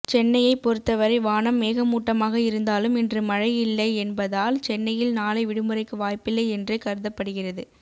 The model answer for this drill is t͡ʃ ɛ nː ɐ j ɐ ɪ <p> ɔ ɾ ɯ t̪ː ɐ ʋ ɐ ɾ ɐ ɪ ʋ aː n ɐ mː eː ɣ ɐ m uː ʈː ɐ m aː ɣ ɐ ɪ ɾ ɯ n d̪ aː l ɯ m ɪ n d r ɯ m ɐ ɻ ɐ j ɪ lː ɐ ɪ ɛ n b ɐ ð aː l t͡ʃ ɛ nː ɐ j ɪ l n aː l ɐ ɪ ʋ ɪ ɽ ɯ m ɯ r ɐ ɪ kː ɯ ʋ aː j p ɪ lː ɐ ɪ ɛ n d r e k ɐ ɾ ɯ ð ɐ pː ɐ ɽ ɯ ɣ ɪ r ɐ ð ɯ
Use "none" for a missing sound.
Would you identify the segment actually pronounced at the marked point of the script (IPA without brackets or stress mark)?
p